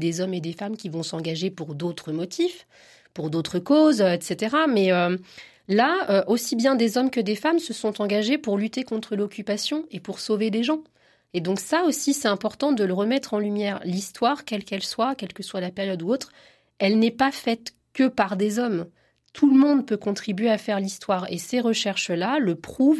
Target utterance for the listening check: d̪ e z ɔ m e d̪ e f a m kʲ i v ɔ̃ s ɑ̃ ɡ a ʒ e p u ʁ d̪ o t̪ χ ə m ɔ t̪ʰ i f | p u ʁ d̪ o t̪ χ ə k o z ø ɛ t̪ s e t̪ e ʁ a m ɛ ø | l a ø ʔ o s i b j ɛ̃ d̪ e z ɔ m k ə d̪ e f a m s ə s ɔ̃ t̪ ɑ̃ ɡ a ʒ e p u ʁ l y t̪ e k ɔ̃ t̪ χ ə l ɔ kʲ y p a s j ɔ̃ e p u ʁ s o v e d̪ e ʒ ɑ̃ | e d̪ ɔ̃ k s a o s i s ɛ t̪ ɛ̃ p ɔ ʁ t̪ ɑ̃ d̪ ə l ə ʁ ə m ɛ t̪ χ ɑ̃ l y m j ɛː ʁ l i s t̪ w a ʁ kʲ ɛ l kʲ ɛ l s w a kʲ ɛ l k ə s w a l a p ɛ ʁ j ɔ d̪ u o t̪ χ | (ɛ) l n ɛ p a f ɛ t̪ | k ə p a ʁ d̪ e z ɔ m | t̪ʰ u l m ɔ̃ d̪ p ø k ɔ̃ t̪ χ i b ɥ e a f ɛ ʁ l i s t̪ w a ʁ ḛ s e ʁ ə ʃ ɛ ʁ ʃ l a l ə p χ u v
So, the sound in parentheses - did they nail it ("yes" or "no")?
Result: yes